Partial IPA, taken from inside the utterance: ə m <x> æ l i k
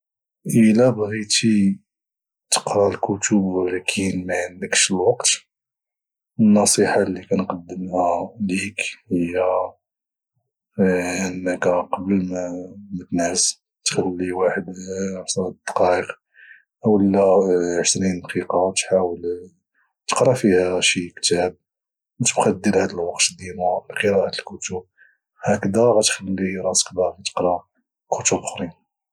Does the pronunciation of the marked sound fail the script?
yes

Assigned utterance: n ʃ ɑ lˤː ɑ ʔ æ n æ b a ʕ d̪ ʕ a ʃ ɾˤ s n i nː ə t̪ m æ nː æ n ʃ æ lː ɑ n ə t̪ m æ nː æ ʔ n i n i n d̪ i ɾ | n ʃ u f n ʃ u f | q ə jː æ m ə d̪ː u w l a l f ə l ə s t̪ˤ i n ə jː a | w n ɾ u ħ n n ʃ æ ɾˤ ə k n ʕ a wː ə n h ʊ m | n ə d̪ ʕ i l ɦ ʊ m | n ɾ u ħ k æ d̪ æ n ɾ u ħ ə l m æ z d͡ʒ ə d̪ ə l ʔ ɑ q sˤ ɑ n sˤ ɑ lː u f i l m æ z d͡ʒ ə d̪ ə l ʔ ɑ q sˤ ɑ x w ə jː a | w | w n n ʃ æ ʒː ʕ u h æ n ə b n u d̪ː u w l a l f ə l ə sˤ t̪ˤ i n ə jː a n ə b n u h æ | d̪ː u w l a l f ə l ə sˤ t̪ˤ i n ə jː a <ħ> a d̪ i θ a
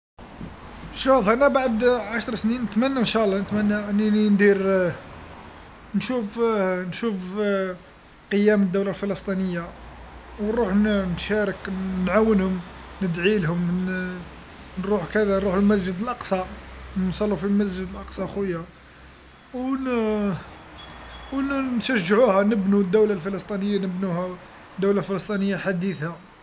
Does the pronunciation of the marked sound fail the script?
no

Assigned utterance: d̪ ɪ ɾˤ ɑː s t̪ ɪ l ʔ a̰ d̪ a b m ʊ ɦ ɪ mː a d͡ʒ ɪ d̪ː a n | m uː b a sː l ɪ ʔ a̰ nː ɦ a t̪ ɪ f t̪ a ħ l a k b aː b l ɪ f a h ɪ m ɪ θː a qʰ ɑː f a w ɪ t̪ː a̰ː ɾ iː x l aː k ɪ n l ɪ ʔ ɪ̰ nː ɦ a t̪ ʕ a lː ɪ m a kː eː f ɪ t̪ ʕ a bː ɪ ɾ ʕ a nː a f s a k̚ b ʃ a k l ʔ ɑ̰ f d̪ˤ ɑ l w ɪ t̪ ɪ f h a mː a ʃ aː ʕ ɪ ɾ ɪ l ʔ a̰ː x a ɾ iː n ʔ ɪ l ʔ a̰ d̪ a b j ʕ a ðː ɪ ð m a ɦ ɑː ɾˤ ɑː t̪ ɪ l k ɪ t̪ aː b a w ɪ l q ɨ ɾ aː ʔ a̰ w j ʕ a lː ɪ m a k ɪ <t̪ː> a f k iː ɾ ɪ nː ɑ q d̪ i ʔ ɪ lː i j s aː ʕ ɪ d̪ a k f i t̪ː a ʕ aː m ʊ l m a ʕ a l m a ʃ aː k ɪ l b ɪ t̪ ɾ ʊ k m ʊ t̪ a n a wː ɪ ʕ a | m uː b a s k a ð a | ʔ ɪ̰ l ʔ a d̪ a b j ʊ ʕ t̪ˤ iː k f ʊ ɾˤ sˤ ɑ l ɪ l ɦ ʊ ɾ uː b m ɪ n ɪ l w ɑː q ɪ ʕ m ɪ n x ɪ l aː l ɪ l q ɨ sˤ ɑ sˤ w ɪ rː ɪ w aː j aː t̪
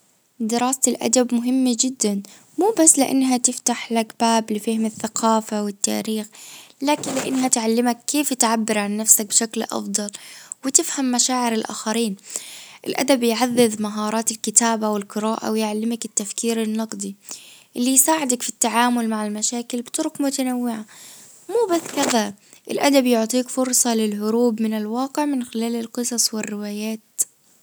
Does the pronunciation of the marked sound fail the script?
no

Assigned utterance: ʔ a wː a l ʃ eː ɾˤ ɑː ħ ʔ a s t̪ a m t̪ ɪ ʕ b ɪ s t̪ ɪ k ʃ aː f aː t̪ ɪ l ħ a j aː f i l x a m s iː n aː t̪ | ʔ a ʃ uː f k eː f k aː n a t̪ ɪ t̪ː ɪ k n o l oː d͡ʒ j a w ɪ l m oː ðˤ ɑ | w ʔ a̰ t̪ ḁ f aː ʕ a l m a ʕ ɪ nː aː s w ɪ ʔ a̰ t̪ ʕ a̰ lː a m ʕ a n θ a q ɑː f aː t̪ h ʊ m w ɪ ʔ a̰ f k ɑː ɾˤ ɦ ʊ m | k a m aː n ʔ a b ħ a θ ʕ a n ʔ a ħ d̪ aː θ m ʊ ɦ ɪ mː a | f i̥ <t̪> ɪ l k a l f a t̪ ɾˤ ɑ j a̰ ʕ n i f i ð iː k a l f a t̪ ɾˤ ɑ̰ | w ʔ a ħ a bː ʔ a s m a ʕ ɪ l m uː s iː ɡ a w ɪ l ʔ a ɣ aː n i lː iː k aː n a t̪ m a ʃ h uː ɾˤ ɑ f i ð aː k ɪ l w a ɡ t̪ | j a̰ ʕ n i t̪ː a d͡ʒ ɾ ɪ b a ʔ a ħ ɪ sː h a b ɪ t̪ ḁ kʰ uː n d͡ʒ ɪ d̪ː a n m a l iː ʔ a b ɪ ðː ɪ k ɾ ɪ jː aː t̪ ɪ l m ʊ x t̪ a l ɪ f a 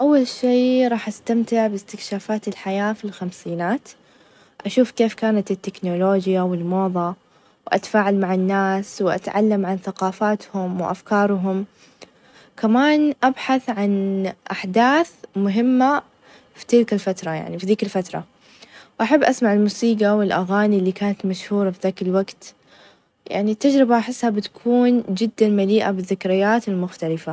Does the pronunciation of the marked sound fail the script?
no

